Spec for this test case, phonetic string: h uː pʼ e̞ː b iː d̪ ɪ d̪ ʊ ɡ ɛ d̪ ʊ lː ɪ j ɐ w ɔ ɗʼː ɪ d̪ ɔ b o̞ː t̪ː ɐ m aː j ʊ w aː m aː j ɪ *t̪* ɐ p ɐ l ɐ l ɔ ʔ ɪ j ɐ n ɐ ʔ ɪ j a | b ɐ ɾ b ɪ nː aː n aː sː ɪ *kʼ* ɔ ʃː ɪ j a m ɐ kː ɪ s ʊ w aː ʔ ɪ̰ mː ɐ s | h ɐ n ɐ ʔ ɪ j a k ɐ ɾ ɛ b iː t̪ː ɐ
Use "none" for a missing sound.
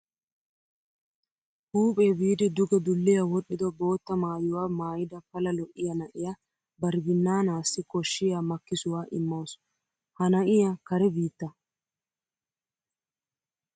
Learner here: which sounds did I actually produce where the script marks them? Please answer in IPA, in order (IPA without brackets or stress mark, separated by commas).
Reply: d̪, k